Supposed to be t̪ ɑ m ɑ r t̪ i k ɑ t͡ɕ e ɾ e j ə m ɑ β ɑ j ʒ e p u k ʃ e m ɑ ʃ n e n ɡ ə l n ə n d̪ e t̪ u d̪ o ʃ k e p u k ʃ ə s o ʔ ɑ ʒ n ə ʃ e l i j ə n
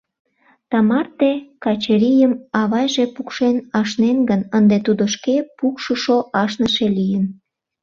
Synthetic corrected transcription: t̪ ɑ m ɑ r t̪ e k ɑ t͡ɕ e ɾ i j ə m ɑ β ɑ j ʒ e p u k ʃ e n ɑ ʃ n e n ɡ ə n ə n d̪ e t̪ u d̪ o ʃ k e p u k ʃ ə ʃ o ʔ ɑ ʃ n ə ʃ e l i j ə n